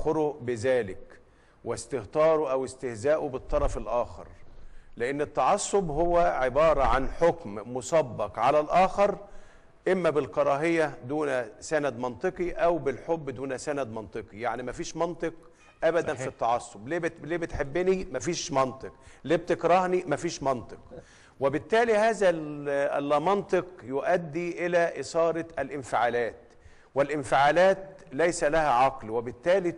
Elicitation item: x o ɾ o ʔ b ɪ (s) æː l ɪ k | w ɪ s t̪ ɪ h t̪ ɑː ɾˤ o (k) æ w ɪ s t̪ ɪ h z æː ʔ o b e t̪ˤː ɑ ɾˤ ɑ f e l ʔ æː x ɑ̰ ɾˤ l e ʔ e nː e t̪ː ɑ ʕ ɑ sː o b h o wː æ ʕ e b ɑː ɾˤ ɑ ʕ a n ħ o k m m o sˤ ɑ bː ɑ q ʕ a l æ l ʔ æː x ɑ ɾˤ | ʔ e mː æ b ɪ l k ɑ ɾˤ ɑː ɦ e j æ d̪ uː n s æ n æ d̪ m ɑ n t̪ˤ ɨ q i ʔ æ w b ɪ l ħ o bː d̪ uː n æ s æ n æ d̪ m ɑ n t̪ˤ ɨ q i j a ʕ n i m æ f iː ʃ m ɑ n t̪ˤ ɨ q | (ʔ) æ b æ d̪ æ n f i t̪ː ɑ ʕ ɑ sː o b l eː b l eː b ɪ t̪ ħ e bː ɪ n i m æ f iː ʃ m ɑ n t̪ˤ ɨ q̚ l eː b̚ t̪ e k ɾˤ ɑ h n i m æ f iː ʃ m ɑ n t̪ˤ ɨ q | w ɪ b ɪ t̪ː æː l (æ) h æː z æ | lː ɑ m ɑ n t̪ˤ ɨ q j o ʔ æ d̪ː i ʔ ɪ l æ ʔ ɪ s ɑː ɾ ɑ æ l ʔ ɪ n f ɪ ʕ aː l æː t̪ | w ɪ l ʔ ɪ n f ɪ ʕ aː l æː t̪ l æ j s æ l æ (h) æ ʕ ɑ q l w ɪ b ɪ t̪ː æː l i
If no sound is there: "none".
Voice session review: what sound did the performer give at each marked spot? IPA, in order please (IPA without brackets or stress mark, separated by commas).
z, ʔ, ʔ, i, h